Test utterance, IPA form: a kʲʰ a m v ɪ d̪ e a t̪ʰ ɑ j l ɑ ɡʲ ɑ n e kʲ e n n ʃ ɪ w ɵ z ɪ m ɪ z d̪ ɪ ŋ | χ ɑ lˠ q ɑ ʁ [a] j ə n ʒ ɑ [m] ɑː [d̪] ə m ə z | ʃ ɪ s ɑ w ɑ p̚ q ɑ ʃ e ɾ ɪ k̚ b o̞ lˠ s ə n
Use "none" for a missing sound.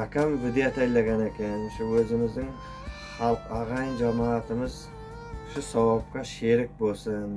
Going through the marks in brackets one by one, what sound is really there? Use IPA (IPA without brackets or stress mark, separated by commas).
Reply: ɑ, m, t̪